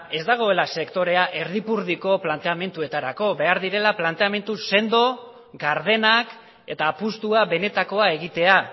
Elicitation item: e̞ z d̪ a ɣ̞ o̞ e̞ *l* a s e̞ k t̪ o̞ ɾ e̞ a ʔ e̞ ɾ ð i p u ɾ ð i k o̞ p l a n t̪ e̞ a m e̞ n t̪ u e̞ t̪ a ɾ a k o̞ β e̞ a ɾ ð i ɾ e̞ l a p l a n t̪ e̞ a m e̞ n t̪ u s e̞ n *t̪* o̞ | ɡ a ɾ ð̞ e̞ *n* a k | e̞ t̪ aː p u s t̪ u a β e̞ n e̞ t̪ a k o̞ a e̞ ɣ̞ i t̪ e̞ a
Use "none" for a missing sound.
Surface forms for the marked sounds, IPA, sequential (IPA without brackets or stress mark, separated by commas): l, d̪, n